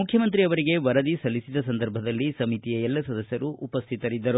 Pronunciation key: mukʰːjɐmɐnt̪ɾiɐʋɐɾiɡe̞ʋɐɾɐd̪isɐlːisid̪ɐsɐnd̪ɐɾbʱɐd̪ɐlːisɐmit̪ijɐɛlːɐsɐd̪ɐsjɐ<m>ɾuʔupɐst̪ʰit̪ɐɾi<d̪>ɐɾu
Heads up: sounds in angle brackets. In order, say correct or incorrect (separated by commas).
incorrect, incorrect